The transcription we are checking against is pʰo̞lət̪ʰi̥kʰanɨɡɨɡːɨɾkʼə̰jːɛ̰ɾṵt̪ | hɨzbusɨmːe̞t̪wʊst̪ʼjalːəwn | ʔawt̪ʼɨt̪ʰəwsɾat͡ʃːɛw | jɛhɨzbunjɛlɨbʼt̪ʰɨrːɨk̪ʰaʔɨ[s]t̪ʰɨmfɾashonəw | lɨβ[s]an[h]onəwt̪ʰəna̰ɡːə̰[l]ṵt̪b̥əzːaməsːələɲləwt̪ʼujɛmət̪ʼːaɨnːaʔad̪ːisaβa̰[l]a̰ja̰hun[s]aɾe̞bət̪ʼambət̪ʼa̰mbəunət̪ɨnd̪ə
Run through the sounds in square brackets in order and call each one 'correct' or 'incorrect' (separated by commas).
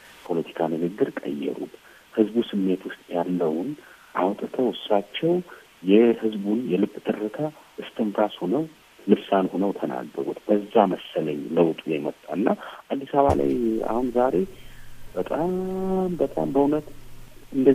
correct, correct, correct, incorrect, correct, incorrect